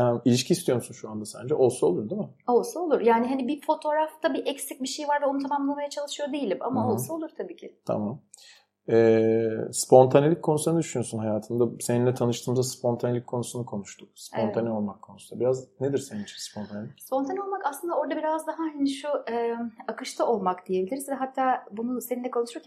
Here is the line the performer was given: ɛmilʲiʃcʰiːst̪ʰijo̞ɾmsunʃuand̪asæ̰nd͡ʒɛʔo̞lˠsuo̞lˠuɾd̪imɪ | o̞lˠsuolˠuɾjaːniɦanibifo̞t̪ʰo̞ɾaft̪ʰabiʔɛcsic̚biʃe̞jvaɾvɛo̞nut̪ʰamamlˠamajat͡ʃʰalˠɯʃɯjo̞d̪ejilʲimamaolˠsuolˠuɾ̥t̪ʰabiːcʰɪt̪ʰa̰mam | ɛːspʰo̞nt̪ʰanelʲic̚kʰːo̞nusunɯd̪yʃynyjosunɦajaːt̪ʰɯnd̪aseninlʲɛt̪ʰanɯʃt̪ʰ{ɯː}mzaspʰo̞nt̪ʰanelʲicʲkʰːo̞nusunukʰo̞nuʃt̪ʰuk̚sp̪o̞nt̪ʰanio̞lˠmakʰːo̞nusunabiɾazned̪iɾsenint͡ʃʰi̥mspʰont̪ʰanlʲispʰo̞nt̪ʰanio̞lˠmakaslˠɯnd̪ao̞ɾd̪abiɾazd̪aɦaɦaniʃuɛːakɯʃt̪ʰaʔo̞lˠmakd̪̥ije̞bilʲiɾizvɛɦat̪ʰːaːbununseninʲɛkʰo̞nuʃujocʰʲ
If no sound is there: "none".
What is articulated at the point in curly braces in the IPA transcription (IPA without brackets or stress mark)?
ɯː